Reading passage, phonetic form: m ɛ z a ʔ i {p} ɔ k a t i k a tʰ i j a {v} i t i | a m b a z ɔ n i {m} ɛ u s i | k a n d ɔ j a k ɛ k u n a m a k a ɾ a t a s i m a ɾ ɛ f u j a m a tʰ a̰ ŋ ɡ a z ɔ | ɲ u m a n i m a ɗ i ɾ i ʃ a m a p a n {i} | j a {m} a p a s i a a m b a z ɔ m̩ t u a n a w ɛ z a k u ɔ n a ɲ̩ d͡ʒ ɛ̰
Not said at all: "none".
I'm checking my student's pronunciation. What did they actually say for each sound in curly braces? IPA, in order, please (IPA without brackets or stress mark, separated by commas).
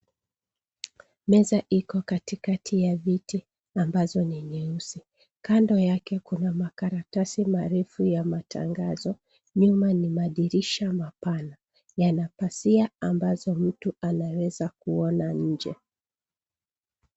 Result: k, v, ɲ, a, n